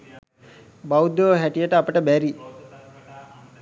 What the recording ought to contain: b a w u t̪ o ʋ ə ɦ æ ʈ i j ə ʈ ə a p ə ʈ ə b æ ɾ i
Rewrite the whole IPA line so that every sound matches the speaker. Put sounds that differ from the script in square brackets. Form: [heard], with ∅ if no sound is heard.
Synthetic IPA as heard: b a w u [d̪] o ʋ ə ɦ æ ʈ i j ə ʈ ə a p ə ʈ ə b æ ɾ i